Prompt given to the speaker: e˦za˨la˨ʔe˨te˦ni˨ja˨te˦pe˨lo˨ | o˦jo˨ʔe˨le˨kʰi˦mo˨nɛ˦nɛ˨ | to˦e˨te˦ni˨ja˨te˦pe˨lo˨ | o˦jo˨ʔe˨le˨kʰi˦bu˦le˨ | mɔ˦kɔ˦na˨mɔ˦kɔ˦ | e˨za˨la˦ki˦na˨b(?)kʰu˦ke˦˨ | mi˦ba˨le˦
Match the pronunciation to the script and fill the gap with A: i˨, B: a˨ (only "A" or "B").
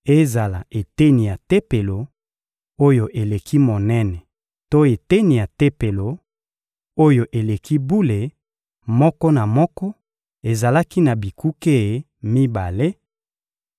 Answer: A